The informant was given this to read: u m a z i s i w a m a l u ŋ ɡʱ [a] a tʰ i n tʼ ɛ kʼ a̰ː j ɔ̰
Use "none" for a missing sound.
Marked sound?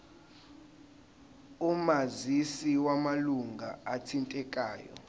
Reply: a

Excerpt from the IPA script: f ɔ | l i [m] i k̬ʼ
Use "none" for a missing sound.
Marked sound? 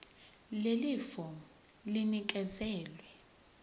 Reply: n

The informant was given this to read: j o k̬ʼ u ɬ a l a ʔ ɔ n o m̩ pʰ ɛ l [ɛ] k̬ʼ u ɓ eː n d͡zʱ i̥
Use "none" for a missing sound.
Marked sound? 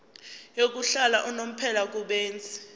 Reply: a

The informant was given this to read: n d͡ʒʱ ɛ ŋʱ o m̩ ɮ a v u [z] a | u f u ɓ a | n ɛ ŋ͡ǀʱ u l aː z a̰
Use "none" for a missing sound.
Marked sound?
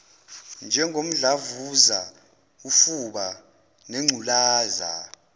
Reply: z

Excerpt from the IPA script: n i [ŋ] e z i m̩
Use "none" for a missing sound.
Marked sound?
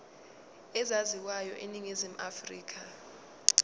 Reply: ŋ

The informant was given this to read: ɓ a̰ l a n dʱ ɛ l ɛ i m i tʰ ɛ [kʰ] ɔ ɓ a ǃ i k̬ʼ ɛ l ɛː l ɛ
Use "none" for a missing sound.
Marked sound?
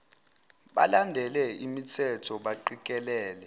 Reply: tʰ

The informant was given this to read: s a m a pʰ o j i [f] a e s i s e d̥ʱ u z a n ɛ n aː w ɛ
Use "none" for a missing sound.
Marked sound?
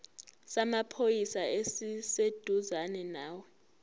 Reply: s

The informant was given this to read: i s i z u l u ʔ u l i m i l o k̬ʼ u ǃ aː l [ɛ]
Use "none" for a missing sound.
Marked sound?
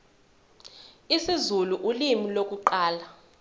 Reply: a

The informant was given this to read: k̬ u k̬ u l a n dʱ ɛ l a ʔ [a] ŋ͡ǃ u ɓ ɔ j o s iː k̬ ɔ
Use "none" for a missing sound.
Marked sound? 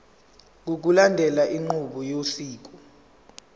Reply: i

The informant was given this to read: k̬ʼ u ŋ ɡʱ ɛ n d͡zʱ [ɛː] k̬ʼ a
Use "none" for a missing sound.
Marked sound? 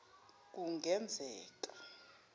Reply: ɛː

